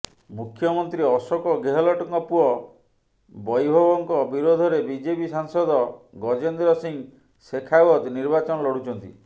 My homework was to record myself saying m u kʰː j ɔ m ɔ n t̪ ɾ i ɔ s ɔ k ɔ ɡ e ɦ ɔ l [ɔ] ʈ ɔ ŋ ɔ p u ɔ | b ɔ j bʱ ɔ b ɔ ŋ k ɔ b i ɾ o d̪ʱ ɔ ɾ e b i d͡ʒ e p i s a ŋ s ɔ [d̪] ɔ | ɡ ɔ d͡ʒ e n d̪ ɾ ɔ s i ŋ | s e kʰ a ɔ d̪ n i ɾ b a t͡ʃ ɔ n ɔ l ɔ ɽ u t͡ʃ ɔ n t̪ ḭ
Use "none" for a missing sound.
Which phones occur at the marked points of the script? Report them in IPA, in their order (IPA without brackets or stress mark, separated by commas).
ɔ, d̪